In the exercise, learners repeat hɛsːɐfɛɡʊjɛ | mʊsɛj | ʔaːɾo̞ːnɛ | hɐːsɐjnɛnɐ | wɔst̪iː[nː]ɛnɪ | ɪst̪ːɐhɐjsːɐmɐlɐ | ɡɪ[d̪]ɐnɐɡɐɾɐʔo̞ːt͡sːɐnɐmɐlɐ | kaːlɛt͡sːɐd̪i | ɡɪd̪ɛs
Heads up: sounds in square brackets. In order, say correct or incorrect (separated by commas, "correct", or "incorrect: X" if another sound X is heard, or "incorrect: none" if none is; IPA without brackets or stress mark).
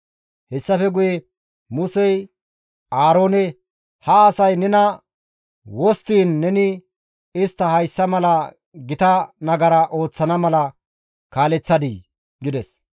correct, incorrect: t̪